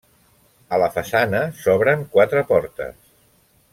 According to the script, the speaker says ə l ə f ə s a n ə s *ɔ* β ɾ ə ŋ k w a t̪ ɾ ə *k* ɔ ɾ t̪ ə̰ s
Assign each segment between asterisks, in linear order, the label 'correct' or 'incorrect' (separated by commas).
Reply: correct, incorrect